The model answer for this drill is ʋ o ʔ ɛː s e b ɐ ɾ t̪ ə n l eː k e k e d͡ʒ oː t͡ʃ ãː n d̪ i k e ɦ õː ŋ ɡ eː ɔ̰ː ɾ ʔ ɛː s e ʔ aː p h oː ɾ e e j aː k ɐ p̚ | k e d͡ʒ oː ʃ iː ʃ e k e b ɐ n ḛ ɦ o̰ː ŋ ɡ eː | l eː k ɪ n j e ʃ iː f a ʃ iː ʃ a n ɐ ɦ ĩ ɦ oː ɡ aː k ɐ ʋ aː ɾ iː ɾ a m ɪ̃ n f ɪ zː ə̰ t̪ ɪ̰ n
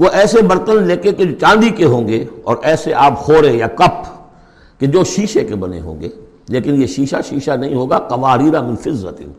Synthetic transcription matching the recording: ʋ o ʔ ɛː s e b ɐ ɾ t̪ ə n l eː k e k e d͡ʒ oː t͡ʃ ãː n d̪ i k e ɦ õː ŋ ɡ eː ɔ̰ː ɾ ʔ ɛː s e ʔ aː p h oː ɾ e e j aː k ɐ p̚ | k e d͡ʒ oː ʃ iː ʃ e k e b ɐ n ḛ ɦ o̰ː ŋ ɡ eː | l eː k ɪ n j e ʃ iː ʃ a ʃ iː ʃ a n ɐ ɦ ĩ ɦ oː ɡ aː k ɐ ʋ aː ɾ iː ɾ a m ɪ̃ n f ɪ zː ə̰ t̪ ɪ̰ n